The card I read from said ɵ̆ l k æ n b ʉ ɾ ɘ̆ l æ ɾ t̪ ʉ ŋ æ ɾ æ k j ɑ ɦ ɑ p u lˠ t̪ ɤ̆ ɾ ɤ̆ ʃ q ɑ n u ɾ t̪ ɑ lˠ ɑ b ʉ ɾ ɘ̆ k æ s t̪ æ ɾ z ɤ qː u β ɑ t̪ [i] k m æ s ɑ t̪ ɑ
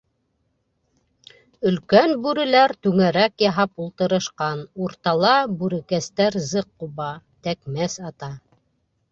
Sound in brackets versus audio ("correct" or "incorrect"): incorrect